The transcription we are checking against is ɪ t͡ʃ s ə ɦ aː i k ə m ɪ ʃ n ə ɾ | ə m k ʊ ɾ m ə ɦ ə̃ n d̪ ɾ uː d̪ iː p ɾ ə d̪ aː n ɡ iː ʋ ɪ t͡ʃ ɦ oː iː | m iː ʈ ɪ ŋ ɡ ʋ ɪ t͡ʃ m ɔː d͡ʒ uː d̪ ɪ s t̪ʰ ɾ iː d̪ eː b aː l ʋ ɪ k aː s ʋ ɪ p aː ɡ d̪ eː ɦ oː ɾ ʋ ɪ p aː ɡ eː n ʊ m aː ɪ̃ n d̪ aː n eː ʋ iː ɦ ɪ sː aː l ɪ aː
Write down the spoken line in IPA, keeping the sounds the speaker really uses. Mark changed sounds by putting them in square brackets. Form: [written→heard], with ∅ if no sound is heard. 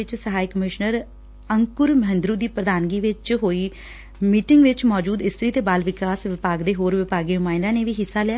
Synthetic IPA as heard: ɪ t͡ʃ s ə ɦ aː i k ə m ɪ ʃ n ə ɾ | ə [m→ŋ] k ʊ ɾ m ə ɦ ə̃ n d̪ ɾ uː d̪ iː p ɾ ə d̪ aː n ɡ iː ʋ ɪ t͡ʃ ɦ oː iː | m iː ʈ ɪ ŋ ɡ ʋ ɪ t͡ʃ m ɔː d͡ʒ uː d̪ ɪ s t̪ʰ ɾ iː [d̪→t̪] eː b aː l ʋ ɪ k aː s ʋ ɪ p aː ɡ d̪ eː ɦ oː ɾ ʋ ɪ p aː ɡ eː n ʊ m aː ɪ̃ n d̪ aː n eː ʋ iː ɦ ɪ sː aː l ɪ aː